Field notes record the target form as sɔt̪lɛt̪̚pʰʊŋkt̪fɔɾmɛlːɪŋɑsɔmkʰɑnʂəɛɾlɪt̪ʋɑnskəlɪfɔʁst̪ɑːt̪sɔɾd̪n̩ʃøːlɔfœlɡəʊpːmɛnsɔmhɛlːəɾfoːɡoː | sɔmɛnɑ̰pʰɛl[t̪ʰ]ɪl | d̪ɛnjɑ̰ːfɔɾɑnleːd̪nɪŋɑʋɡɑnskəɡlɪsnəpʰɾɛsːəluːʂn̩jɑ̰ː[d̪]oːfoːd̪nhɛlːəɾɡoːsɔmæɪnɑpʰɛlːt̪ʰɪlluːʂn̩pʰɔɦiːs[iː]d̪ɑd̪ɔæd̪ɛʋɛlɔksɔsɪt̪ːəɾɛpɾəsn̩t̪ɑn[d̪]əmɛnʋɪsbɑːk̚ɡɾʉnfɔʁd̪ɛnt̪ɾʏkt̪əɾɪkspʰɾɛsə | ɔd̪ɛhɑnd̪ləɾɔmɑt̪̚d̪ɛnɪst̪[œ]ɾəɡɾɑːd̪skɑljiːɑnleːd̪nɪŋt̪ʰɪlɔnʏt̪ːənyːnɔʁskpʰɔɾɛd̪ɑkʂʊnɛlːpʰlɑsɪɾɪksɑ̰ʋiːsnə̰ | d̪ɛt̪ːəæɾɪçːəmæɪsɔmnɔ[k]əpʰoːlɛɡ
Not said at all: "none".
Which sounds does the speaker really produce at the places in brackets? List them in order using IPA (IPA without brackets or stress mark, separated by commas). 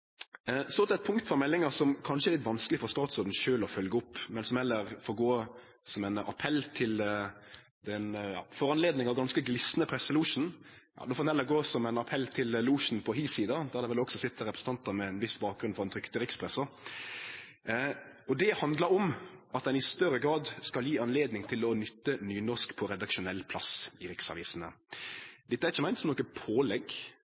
t̪ʰ, d̪, iː, t̪, œ, k